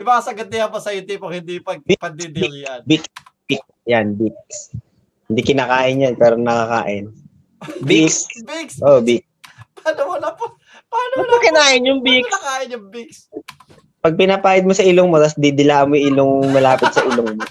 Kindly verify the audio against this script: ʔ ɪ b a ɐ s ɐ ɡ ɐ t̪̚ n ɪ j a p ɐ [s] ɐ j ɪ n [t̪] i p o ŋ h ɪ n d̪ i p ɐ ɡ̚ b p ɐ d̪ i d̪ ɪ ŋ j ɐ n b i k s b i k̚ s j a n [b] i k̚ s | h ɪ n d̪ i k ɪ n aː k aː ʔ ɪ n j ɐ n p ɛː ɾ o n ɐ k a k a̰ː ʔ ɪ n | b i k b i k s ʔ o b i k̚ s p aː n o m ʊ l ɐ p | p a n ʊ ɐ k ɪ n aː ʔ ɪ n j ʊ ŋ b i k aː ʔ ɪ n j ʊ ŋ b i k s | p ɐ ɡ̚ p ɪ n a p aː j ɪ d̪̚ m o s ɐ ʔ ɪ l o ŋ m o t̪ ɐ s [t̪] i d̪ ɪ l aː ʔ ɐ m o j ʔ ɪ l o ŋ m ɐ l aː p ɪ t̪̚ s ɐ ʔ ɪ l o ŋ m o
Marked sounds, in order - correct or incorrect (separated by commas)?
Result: correct, correct, correct, incorrect